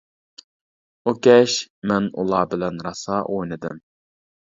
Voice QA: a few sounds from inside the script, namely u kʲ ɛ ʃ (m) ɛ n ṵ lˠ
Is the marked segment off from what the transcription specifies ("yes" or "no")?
no